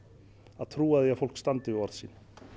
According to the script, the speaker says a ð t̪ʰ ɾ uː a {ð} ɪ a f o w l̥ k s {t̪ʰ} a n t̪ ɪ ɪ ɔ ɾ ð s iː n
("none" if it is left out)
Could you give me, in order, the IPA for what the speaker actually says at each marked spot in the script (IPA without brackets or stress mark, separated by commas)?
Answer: ð, t̪